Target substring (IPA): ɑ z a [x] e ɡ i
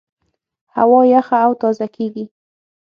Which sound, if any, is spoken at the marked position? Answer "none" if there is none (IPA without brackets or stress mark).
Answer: k